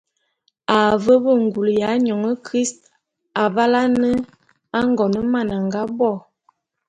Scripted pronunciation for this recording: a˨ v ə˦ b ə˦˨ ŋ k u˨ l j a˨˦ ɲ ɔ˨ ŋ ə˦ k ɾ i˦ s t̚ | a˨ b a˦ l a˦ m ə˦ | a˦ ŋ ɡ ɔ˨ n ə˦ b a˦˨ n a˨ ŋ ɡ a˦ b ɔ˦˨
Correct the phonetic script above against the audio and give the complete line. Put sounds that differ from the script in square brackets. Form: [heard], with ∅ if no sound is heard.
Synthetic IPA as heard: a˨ v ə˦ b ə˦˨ ŋ [ɡ] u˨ l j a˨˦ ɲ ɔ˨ ŋ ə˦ k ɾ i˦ s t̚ | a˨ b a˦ l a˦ [n] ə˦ | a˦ ŋ ɡ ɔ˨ n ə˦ [m] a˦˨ n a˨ ŋ ɡ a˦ b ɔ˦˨